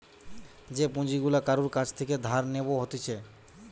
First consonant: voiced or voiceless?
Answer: voiced